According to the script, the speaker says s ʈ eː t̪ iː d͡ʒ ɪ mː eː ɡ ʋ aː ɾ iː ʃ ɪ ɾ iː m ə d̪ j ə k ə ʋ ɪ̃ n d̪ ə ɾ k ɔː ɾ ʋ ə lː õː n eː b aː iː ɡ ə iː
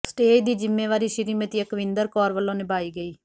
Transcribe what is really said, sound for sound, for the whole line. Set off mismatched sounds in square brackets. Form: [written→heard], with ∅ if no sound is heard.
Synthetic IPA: s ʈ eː [t̪→d̪] iː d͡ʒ ɪ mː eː [ɡ→∅] ʋ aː ɾ iː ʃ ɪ ɾ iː m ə [d̪→t̪] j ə k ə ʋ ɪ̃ n d̪ ə ɾ k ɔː ɾ ʋ ə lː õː n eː b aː iː ɡ ə iː